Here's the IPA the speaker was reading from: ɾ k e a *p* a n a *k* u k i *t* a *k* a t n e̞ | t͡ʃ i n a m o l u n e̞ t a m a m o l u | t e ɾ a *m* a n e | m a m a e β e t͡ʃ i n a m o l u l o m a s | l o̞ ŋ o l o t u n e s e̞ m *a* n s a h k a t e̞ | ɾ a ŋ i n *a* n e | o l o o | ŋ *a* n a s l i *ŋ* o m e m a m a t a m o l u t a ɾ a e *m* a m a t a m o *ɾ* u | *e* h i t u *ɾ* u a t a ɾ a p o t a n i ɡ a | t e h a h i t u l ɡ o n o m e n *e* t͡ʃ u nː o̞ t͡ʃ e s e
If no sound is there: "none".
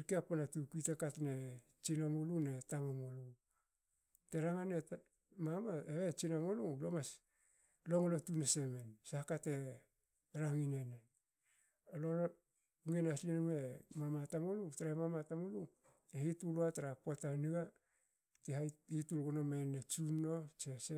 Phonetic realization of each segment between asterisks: p, t, t, k, ŋ, e, e, e, n, m, l, e, l, e

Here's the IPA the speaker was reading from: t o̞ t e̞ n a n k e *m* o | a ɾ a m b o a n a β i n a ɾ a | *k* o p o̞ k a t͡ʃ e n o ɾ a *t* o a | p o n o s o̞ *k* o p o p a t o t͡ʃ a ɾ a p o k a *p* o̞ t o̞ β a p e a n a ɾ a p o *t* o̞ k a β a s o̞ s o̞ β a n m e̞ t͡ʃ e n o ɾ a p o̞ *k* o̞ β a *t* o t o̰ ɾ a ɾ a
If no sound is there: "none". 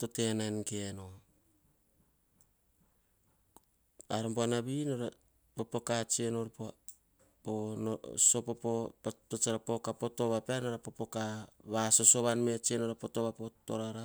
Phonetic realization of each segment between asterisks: n, p, p, p, p, p, t, p

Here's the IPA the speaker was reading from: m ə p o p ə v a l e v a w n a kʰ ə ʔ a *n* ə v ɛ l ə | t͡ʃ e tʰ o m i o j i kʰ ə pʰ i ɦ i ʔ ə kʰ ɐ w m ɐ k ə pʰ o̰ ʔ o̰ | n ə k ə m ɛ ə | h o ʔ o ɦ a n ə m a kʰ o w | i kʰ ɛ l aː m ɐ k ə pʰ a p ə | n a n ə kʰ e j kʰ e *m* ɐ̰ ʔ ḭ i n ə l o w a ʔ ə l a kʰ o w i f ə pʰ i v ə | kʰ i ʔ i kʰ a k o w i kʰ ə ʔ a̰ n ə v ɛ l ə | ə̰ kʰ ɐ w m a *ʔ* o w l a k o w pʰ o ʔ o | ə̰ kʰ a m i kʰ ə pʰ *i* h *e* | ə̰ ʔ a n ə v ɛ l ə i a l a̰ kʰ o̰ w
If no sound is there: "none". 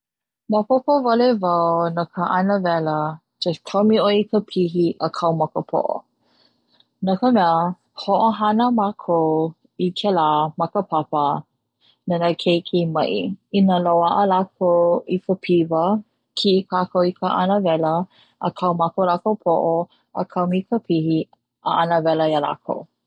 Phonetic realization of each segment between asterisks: n, m, k, i, i

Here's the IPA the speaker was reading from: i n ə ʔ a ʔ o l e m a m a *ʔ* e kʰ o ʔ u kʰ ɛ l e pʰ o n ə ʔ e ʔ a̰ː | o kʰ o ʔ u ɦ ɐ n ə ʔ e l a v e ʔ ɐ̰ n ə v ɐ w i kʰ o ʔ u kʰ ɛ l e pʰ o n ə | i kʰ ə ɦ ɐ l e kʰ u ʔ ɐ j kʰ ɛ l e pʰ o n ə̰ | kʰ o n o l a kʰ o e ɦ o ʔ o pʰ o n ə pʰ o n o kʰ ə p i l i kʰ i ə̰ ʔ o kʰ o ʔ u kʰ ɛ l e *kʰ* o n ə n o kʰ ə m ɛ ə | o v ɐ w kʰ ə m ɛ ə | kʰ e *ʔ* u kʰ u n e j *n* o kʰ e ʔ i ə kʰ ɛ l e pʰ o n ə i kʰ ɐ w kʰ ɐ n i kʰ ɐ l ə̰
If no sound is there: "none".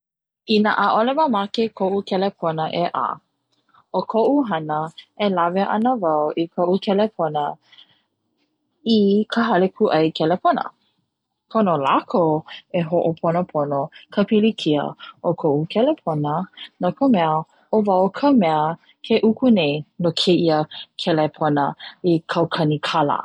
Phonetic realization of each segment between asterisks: k, pʰ, ʔ, n

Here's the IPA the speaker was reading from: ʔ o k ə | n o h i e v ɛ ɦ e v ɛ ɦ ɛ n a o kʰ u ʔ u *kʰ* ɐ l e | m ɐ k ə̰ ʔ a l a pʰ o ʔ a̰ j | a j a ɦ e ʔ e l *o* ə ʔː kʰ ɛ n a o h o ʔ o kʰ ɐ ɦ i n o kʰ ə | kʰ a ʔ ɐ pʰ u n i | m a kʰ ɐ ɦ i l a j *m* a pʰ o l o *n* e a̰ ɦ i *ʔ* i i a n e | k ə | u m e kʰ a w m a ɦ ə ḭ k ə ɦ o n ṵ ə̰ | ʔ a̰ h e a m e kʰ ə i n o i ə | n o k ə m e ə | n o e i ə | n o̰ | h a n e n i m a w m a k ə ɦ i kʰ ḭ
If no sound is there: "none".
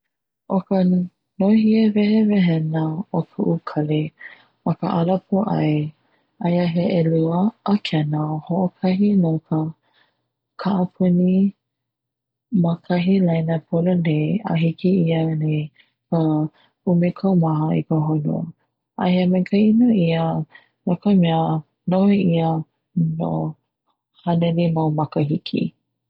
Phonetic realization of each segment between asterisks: kʰ, u, n, n, k

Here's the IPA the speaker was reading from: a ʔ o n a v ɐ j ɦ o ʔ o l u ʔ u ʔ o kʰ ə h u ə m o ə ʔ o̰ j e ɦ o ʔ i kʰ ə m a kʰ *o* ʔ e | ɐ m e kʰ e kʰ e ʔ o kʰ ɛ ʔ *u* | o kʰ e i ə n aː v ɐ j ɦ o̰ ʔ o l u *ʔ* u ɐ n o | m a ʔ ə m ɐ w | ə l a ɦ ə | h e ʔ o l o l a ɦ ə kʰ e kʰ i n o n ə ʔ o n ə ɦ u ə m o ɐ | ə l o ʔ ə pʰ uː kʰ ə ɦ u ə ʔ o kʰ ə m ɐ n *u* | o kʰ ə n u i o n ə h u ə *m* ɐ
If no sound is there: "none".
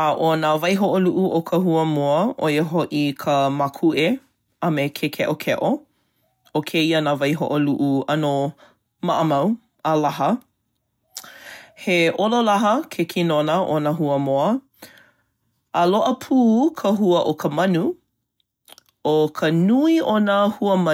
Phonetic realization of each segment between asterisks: u, o, ʔ, u, m

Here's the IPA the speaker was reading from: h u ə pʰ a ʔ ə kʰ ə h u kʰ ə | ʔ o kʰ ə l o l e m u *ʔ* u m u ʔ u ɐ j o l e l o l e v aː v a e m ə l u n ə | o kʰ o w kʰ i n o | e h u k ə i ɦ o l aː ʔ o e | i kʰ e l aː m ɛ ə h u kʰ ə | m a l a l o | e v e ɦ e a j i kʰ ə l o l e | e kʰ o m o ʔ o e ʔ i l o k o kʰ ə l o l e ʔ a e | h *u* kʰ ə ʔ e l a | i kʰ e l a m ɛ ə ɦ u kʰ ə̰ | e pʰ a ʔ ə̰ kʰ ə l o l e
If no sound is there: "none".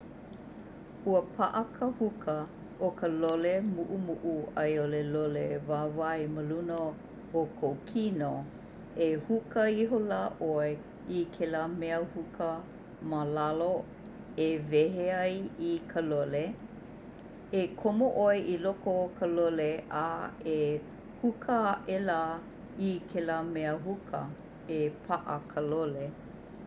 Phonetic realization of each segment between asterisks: ʔ, u

